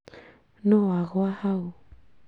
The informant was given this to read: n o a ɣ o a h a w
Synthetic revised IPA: n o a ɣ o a h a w